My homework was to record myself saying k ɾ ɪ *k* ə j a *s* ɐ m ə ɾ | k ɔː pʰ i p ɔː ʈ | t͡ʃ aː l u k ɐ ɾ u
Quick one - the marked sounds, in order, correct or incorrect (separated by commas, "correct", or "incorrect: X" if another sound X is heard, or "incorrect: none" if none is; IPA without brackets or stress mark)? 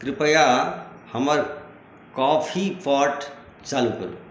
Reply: incorrect: p, incorrect: h